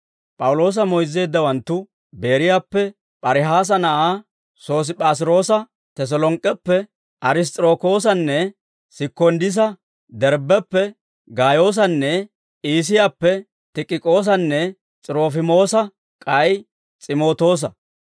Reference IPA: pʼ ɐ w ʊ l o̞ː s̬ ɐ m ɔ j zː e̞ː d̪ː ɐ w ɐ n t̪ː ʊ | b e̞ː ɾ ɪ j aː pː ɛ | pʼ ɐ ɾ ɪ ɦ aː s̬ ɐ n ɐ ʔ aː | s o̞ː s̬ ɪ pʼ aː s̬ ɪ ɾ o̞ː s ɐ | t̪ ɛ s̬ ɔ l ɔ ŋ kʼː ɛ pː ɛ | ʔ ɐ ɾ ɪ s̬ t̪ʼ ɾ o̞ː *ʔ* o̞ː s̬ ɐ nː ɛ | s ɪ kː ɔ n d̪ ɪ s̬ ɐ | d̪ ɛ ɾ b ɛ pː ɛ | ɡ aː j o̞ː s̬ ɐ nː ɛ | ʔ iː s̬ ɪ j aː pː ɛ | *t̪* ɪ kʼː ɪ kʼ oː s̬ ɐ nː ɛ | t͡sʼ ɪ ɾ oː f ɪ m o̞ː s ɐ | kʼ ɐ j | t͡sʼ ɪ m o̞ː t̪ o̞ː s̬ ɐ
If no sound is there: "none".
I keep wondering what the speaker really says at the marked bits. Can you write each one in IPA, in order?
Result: k, t̪

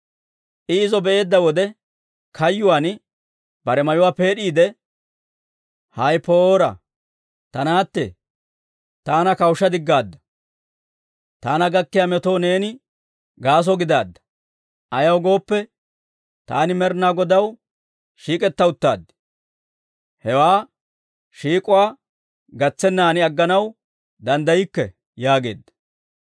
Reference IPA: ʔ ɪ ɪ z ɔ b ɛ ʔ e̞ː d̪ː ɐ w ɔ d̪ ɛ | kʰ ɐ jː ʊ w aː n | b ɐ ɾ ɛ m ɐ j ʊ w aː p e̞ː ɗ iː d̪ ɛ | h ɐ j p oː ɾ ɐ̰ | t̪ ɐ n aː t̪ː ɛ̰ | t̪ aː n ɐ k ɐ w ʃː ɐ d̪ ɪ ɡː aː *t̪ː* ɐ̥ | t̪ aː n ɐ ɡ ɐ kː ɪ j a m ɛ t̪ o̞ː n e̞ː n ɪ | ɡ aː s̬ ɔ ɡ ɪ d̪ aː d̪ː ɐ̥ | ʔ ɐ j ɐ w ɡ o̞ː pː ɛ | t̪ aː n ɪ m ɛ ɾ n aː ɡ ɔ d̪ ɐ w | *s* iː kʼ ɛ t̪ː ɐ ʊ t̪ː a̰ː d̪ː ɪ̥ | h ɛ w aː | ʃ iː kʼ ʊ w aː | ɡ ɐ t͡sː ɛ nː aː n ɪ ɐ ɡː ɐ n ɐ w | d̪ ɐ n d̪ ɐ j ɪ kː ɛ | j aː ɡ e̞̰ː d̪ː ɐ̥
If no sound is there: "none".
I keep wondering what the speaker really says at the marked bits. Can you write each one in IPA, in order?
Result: d̪ː, ʃ

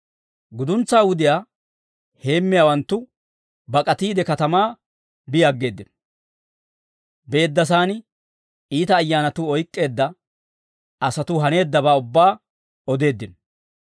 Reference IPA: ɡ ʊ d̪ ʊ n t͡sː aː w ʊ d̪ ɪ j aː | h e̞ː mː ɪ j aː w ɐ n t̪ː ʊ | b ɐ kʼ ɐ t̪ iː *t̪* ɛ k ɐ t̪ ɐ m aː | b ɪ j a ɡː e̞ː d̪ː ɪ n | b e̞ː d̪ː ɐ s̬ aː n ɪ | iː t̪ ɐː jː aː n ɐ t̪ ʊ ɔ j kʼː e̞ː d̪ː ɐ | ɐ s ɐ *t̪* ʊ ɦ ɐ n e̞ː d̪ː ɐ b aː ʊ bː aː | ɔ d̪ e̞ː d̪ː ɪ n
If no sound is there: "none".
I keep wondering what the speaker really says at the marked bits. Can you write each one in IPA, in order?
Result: d̪, t̪

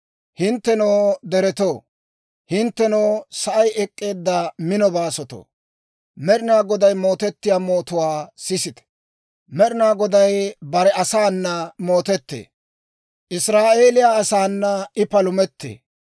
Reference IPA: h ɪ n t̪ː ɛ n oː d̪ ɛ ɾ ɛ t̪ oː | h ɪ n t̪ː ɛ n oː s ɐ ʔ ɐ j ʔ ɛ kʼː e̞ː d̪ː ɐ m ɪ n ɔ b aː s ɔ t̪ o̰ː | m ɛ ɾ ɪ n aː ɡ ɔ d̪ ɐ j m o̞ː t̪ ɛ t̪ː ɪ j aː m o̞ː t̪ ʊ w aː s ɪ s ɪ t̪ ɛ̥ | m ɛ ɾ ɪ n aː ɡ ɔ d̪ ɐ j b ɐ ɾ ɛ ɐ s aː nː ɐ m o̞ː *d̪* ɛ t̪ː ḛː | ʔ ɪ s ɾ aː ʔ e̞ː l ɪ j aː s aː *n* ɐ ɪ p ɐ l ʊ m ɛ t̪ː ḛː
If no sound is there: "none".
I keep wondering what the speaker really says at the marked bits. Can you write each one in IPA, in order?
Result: t̪, nː

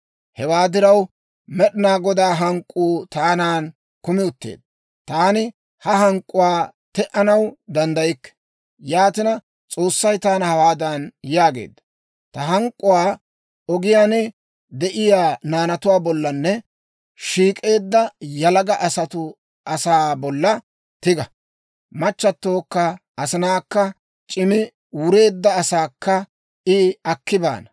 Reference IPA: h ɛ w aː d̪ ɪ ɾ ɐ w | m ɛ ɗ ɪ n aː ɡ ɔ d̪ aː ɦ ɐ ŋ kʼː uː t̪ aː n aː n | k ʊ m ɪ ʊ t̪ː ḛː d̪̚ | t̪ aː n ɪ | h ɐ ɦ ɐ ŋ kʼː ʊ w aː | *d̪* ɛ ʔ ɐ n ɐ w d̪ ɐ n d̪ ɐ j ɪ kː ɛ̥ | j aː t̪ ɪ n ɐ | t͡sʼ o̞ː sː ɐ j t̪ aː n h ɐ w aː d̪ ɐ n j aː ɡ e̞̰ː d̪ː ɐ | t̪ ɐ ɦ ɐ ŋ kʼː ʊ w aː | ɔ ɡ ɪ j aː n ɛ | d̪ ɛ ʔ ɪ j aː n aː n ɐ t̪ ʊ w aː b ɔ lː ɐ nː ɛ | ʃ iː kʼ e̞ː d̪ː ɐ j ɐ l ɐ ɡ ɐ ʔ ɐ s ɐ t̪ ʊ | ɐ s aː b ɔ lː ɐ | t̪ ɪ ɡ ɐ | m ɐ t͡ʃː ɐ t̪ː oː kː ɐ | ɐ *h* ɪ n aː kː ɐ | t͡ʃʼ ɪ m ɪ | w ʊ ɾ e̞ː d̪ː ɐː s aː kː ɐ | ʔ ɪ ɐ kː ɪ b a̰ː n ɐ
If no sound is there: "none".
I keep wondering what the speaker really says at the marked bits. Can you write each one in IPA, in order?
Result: t̪, s

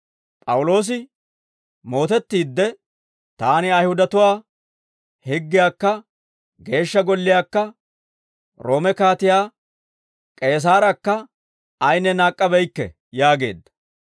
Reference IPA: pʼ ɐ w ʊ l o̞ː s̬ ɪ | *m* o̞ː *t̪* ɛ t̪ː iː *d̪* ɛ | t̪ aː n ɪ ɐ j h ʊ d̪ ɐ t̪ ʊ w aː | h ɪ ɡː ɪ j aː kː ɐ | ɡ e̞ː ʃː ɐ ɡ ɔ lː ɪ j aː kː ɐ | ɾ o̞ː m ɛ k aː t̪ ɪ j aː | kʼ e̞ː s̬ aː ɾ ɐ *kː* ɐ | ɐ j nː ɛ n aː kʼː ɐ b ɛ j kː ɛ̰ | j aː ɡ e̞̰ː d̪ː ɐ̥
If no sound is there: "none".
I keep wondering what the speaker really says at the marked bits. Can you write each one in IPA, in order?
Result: m, t̪, d̪ː, kː

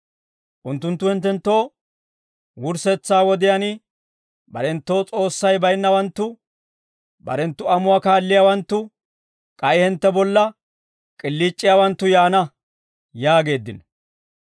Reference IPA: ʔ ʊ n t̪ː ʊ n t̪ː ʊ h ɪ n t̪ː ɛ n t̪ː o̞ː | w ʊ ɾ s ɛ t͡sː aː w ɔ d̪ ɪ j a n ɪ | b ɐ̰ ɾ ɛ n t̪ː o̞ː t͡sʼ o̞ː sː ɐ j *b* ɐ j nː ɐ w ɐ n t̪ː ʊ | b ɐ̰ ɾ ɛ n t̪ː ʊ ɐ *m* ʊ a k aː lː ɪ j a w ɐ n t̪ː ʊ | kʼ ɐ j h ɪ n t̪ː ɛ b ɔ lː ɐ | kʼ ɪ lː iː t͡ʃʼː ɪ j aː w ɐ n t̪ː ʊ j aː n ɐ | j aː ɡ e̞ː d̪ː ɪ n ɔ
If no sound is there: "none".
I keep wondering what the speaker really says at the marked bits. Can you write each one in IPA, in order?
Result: b, m

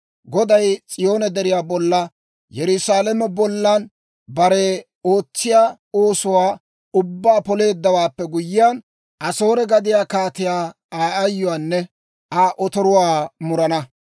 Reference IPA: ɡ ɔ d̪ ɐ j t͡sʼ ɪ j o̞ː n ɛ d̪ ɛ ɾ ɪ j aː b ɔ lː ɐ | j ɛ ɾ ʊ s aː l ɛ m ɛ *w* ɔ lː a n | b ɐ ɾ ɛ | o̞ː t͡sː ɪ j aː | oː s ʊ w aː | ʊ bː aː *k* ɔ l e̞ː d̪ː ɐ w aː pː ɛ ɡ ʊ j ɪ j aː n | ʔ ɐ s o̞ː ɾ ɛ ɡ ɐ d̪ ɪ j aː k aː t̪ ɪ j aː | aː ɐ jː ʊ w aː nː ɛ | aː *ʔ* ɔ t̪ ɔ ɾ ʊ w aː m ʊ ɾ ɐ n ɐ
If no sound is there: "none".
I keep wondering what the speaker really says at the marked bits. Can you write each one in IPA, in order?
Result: b, p, ʔ

